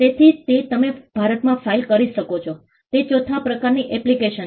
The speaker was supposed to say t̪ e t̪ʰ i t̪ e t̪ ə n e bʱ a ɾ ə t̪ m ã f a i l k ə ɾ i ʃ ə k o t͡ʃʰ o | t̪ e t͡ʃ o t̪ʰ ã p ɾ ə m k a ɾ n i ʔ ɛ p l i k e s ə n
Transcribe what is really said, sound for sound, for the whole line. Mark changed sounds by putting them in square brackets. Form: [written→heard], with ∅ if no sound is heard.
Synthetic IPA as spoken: t̪ e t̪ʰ i t̪ e t̪ ə [n→m] e bʱ a ɾ ə t̪ m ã f a i l k ə ɾ i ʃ ə k o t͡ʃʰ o | t̪ e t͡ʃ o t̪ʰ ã p ɾ ə [m→∅] k a ɾ n i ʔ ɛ p l i k e [s→ʃ] ə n